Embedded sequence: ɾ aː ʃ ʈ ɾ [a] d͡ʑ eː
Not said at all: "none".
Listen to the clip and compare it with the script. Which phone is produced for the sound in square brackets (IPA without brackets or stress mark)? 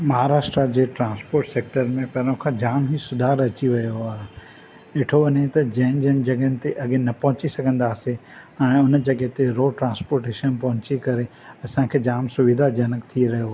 a